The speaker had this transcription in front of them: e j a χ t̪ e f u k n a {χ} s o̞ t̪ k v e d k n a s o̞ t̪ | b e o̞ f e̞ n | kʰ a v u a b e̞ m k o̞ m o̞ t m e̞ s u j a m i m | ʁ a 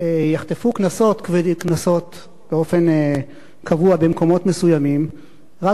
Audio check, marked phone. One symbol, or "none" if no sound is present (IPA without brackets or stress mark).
none